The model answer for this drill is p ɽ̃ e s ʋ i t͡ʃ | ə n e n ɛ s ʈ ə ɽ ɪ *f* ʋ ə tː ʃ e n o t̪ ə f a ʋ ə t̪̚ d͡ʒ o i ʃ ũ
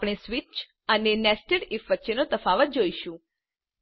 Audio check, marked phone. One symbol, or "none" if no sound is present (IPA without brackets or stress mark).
f